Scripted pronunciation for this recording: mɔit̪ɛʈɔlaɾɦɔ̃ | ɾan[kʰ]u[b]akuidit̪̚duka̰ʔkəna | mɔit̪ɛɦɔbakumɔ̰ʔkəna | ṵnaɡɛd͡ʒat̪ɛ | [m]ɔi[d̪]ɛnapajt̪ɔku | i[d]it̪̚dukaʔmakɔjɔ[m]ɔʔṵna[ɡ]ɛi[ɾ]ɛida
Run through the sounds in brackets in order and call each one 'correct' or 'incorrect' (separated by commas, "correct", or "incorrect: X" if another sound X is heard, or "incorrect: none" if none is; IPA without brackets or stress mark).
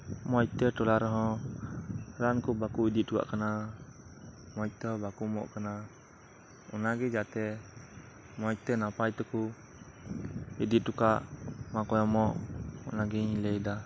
incorrect: k, correct, correct, incorrect: t̪, correct, correct, correct, incorrect: l